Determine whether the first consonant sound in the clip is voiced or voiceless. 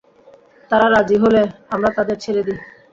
voiceless